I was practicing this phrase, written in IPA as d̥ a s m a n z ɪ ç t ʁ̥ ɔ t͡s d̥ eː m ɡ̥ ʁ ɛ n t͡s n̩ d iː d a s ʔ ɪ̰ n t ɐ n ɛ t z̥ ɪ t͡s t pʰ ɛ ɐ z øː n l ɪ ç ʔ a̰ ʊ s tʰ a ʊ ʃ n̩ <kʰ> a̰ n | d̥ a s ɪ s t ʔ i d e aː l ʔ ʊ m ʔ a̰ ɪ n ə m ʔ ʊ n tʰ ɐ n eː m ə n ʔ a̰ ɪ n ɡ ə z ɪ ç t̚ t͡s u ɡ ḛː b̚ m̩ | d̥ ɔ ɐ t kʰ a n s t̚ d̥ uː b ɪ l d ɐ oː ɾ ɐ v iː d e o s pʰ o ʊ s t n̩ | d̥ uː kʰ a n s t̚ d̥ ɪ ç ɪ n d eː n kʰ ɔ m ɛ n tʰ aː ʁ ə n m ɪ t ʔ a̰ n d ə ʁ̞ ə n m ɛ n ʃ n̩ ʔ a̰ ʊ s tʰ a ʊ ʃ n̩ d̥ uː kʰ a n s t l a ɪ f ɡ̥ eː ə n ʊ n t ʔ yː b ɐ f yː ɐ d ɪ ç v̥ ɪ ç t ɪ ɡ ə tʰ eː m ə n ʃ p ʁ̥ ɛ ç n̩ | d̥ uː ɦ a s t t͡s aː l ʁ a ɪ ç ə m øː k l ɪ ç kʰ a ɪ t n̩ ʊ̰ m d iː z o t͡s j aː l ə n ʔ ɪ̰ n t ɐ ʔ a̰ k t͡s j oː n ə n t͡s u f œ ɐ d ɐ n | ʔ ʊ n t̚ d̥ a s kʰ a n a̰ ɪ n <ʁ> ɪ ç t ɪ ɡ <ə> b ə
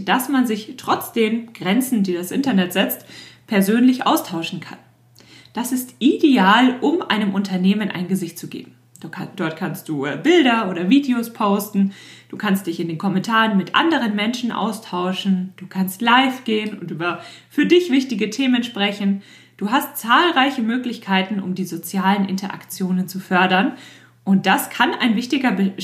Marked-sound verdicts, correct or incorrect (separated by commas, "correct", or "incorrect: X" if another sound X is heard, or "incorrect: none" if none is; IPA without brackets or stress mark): correct, incorrect: v, incorrect: ɐ